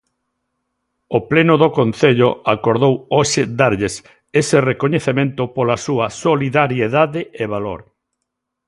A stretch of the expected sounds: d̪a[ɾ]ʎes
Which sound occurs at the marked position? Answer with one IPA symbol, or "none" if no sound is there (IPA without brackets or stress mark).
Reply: ɾ